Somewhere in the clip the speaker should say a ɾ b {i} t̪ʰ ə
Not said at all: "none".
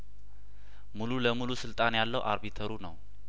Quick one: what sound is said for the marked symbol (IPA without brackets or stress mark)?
i